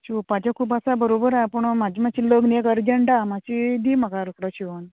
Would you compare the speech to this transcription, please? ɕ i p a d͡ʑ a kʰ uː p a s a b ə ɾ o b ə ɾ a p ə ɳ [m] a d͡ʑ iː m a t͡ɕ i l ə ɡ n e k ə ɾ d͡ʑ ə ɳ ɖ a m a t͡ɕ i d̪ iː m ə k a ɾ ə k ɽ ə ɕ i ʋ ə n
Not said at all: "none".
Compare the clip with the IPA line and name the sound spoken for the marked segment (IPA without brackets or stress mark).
m